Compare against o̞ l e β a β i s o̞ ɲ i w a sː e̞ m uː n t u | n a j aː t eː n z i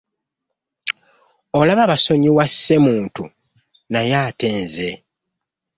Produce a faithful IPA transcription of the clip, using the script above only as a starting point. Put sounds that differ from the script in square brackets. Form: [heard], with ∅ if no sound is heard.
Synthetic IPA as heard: o̞ l [a] β a β [a] s o̞ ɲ i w a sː e̞ m uː n t u | n a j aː t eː n z [e]